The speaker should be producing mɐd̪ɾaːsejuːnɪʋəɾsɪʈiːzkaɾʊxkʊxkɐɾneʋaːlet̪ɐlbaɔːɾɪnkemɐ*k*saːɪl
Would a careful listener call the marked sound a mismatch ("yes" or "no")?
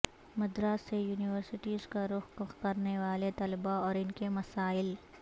yes